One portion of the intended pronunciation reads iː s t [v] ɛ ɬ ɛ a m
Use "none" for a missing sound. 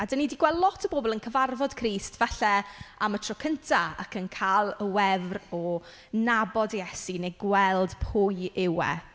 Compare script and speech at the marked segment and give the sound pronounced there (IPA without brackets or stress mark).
v